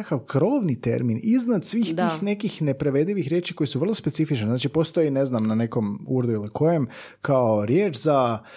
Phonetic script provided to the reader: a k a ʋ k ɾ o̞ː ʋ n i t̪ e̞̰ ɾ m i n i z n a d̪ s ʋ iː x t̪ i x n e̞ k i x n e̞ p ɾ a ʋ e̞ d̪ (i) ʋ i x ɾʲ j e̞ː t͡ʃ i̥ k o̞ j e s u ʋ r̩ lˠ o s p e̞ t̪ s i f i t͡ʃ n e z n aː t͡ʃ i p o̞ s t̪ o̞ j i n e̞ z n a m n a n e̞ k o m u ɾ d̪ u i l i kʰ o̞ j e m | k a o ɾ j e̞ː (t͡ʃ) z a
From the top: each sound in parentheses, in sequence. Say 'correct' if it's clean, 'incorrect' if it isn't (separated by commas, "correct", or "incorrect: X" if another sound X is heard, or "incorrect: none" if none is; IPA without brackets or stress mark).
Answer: correct, correct